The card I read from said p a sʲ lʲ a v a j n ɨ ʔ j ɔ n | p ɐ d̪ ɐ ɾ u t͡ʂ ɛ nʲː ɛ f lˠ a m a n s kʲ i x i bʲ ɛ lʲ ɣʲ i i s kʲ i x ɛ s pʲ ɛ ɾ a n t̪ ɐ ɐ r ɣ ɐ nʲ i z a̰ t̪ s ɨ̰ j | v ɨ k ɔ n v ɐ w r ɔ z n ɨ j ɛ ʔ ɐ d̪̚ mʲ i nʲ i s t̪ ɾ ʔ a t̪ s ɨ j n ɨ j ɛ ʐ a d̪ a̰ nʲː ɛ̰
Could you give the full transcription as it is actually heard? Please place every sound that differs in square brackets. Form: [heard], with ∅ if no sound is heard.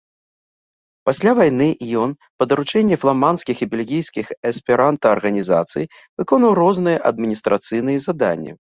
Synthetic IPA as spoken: p a sʲ lʲ a v a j n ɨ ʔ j ɔ n | p ɐ d̪ ɐ ɾ u t͡ʂ ɛ nʲː ɛ f lˠ a m a n s kʲ i x i bʲ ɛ lʲ ɣʲ i [j] s kʲ i x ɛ s pʲ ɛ ɾ a n t̪ ɐ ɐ r ɣ ɐ nʲ i z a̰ t̪ s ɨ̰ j | v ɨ k ɔ n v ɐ w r ɔ z n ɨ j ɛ ʔ ɐ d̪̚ mʲ i nʲ i s t̪ ɾ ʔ a t̪ s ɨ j n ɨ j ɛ [z] a d̪ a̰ nʲː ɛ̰